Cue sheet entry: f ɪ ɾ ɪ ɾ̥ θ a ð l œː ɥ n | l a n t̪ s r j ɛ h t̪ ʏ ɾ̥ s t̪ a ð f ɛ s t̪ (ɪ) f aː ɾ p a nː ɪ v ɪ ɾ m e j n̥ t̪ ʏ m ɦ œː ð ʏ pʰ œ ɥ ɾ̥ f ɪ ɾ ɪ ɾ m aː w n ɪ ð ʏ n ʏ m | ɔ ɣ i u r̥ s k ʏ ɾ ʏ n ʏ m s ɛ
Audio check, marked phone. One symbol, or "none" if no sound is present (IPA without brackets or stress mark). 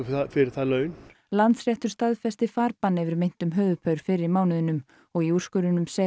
ɪ